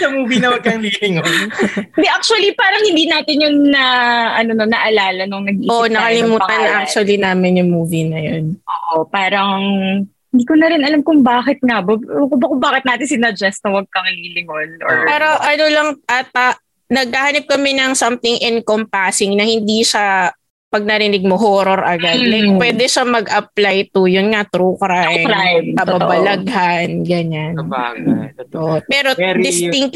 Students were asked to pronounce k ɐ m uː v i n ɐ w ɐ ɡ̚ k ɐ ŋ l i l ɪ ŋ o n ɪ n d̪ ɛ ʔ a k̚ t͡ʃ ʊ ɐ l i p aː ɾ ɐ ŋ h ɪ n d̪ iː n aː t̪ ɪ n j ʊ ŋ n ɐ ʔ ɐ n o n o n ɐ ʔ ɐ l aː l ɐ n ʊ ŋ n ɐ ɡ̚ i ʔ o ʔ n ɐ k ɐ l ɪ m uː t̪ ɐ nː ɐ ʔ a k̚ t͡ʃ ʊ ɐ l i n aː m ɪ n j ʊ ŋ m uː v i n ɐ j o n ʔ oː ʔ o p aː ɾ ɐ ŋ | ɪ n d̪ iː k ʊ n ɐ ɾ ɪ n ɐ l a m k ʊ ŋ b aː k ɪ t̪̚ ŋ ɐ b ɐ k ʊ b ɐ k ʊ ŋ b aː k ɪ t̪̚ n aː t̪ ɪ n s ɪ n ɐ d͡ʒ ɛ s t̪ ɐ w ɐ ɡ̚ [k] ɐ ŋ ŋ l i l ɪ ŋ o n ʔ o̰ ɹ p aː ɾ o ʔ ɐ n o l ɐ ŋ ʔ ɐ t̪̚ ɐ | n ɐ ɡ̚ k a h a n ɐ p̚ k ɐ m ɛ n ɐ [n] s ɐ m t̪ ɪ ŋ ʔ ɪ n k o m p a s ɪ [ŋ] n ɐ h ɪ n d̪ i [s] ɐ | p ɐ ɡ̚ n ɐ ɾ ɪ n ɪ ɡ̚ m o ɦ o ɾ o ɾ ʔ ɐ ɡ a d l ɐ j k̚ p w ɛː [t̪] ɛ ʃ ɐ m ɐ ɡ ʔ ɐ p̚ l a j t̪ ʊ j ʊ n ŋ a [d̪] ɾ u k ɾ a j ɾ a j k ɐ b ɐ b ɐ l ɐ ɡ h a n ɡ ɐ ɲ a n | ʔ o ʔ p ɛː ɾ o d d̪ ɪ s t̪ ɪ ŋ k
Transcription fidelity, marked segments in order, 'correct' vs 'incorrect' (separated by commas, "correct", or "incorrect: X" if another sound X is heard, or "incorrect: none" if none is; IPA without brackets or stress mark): correct, incorrect: ŋ, correct, incorrect: ʃ, incorrect: d̪, incorrect: t̪